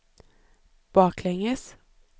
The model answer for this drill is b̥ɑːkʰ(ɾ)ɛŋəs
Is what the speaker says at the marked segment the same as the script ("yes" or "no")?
no